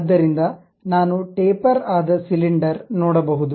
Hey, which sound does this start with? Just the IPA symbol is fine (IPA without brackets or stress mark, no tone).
d̪ː